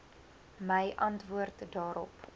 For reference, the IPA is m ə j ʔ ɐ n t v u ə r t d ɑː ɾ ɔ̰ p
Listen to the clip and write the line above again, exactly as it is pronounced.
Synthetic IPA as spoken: m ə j ʔ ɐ n t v u ə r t d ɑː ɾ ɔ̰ p